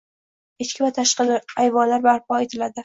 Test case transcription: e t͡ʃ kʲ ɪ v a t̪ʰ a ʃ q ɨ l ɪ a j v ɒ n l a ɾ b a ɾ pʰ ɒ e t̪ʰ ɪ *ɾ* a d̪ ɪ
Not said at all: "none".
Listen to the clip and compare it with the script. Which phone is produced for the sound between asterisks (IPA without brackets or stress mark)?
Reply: l